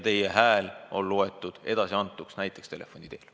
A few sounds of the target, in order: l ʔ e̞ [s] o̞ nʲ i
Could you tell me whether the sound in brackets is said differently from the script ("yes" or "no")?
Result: yes